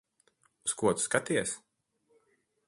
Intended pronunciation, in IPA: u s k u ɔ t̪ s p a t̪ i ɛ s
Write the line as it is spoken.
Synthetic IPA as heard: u s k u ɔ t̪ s k a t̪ i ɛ s